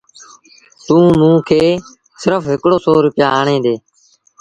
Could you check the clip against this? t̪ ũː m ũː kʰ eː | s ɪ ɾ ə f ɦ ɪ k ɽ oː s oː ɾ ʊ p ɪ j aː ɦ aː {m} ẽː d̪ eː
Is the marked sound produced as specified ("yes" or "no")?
no